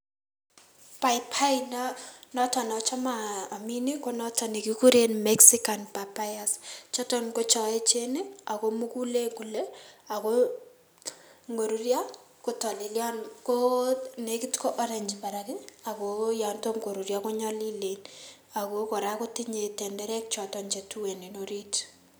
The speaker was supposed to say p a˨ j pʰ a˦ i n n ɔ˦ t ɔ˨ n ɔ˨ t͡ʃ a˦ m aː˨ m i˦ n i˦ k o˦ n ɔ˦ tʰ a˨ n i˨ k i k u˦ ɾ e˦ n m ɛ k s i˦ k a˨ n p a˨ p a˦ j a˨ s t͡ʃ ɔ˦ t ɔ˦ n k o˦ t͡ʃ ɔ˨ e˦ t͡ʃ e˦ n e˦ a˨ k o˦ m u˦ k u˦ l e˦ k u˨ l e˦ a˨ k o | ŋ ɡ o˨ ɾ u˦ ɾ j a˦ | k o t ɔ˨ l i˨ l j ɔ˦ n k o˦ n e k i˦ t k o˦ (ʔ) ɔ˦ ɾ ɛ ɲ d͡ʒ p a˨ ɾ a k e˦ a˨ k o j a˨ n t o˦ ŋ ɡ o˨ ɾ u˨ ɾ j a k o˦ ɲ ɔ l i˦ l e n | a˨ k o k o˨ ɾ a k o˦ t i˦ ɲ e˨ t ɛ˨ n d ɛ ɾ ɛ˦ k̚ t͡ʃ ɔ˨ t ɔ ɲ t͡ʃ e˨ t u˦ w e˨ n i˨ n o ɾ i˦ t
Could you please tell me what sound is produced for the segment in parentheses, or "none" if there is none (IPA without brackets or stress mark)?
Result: ʔ